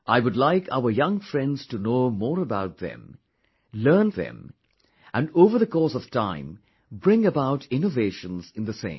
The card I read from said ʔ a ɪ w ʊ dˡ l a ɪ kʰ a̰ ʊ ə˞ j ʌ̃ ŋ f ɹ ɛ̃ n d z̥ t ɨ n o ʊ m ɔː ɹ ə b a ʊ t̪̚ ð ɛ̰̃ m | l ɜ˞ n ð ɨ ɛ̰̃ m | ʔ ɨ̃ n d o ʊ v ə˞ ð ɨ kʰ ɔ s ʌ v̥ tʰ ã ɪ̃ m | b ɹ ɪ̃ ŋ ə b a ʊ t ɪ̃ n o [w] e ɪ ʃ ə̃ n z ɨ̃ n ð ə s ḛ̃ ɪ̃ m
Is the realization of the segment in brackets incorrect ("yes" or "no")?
yes